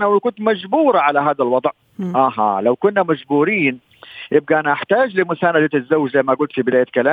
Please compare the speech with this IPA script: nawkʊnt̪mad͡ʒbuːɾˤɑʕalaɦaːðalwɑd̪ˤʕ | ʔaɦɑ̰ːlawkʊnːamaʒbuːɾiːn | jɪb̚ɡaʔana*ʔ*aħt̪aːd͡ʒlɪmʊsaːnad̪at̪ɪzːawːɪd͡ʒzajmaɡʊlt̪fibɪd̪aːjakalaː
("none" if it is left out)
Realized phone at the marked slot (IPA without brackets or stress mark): ʔ